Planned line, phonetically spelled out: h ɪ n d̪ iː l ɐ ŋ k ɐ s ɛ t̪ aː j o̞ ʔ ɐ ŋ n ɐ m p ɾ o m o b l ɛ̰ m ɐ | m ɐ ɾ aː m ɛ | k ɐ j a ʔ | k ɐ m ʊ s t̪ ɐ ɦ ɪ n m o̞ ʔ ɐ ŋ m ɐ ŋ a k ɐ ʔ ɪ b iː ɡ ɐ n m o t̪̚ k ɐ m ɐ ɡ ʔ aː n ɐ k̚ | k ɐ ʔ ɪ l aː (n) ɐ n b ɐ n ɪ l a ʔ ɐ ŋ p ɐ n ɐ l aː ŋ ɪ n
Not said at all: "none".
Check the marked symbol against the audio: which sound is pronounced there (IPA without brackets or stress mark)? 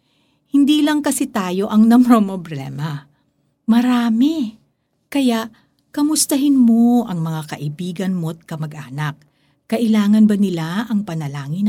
ŋ